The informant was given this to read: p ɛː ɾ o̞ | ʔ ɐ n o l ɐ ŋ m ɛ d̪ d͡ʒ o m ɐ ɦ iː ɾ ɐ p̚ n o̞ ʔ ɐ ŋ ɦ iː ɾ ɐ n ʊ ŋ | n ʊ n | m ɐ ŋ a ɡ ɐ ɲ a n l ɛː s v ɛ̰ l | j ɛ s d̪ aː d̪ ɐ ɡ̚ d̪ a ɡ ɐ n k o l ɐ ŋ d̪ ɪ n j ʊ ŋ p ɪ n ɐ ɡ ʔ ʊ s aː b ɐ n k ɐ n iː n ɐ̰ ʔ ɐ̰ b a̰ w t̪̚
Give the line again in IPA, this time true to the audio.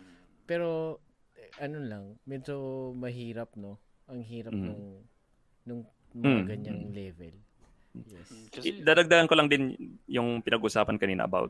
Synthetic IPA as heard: p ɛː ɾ o̞ | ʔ ɐ n o l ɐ ŋ m ɛ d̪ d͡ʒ o m ɐ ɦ iː ɾ ɐ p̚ n o̞ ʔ ɐ ŋ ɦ iː ɾ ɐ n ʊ ŋ | n ʊ ŋ | m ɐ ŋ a ɡ ɐ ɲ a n l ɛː v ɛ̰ l | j ɛ s d̪ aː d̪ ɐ ɡ̚ d̪ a ɡ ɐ n k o l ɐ ŋ d̪ ɪ n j ʊ ŋ p ɪ n ɐ ɡ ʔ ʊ s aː p ɐ n k ɐ n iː n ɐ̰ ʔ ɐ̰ b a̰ w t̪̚